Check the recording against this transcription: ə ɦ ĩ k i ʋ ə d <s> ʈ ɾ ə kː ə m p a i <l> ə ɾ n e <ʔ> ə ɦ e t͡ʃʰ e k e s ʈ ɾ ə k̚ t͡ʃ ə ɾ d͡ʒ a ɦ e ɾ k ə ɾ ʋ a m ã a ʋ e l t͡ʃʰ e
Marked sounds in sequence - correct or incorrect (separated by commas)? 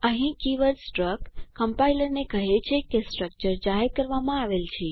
correct, correct, incorrect